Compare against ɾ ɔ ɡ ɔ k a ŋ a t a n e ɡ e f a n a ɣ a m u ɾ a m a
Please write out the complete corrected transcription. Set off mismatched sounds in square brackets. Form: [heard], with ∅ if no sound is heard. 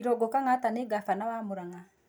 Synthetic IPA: ɾ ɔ ɡ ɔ k a ŋ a t a n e ɡ [a] f a n a [w] a m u ɾ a [ŋ] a